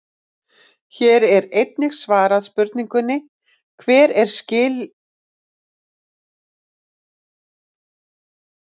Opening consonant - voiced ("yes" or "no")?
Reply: no